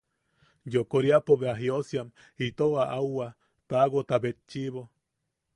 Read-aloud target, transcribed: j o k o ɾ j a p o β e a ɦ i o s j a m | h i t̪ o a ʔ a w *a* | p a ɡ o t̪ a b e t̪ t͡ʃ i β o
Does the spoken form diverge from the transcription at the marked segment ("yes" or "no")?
no